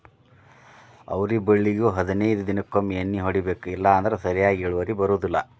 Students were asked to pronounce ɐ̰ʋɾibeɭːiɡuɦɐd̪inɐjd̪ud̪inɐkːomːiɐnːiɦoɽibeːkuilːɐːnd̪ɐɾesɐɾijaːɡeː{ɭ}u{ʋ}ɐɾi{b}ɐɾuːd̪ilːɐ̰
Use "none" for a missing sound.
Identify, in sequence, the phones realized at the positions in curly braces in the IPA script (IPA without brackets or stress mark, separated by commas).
ɭ, ʋ, b